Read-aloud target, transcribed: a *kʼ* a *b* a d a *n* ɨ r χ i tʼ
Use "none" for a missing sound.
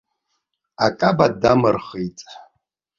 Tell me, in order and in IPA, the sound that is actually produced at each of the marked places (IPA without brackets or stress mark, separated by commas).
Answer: kʼ, b, m